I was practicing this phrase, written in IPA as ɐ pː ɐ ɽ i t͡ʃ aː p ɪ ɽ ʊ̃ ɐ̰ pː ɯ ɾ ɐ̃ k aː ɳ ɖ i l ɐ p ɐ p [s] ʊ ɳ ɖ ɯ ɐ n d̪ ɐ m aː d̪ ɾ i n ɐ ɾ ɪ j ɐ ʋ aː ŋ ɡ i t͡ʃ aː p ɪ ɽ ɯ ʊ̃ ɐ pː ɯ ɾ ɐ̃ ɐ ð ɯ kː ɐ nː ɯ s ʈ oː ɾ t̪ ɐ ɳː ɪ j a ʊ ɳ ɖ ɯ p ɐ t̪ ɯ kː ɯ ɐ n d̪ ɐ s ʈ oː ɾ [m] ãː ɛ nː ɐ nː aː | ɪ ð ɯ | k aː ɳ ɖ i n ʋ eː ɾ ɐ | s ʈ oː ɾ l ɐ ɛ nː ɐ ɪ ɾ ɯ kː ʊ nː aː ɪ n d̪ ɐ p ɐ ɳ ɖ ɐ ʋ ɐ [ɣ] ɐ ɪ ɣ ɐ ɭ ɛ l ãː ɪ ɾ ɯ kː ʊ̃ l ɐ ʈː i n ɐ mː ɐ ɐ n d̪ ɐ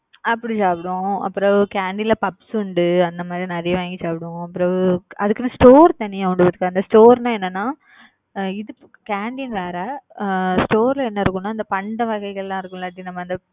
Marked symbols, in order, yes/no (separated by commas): yes, no, yes